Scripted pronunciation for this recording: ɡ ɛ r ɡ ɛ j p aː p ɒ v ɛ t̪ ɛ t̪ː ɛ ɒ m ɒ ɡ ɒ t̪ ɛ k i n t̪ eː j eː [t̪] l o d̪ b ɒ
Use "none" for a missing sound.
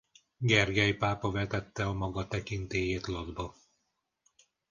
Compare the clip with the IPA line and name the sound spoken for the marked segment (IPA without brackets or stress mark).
t̪